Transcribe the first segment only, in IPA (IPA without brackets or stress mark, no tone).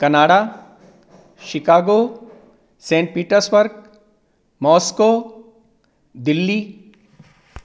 k